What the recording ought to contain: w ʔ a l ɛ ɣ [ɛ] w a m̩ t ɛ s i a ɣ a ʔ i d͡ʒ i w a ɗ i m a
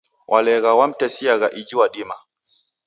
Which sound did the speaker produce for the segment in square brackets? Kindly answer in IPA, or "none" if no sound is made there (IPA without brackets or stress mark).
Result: a